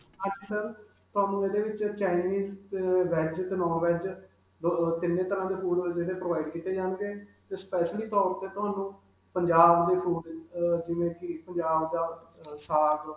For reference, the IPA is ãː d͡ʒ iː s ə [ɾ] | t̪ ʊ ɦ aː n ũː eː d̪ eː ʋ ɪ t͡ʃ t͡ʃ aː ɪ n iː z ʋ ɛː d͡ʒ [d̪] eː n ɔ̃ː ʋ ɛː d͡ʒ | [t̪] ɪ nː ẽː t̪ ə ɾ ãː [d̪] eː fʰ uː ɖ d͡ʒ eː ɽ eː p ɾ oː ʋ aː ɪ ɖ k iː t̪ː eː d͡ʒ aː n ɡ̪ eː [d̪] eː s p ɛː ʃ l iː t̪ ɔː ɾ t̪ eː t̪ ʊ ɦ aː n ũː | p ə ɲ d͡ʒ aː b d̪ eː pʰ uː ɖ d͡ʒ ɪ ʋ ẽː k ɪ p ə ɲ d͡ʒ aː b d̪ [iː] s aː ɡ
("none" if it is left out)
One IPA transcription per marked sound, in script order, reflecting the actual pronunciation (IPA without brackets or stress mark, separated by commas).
ɾ, t̪, t̪, d̪, t̪, aː